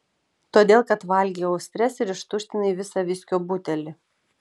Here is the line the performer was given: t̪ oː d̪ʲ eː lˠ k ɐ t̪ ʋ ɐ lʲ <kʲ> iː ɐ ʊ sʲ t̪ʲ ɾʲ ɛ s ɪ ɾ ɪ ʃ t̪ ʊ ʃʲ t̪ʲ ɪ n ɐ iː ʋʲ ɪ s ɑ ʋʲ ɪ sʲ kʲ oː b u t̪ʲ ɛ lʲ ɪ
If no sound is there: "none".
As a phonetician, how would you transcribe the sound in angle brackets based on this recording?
ɡʲ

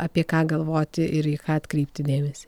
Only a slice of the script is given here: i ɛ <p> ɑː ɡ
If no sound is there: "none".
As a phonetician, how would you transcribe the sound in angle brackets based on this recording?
k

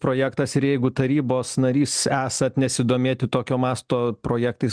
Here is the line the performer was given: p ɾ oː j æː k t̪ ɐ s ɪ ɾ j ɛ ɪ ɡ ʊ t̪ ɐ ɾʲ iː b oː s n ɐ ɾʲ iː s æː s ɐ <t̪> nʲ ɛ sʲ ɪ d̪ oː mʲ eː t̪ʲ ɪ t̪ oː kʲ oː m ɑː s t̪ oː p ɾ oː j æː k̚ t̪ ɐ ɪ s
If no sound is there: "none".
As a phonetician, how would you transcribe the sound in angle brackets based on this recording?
t̪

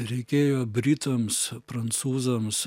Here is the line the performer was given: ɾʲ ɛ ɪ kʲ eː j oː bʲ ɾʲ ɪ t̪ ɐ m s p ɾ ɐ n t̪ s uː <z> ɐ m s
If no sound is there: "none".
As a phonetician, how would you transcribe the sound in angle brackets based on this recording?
z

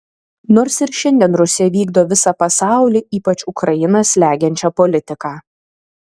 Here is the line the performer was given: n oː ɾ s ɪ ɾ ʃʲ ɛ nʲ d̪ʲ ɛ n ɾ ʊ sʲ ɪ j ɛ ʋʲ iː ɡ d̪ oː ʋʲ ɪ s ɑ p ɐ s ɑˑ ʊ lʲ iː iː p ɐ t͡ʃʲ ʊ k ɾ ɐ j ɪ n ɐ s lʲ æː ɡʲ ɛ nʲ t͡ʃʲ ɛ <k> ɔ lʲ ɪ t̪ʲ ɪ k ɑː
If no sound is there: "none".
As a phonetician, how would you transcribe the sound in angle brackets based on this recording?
p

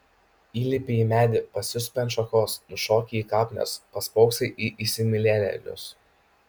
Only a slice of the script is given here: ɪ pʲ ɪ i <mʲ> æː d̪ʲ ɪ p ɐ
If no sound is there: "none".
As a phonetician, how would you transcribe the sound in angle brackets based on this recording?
mʲ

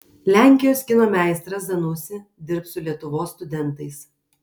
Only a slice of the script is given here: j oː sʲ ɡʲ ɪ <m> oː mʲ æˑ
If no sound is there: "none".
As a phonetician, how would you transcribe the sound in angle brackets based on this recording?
n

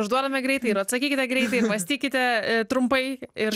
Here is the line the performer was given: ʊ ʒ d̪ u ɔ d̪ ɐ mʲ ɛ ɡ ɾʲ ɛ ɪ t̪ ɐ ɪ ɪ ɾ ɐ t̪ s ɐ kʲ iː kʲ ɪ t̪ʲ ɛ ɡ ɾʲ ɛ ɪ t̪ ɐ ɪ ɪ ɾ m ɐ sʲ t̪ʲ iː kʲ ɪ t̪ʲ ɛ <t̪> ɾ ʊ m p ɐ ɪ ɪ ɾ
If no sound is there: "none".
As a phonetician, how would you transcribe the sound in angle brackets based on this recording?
t̪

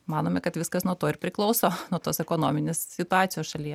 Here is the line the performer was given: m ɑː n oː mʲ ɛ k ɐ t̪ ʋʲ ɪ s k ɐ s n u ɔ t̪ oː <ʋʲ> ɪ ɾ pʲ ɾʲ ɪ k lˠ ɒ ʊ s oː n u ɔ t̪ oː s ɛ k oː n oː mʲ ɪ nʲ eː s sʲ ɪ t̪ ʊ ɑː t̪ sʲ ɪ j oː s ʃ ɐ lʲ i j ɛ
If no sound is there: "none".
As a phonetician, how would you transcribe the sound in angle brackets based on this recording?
none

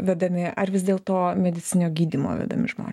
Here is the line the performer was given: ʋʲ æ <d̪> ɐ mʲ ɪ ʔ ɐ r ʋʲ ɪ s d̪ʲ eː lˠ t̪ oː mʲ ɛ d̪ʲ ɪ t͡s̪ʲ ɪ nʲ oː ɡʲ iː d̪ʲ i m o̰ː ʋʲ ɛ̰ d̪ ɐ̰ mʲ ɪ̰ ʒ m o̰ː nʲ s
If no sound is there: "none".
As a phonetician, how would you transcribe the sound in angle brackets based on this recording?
d̪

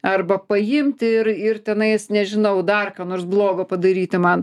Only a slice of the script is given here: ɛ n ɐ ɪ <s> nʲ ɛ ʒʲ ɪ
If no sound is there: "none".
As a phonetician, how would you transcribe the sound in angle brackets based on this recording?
s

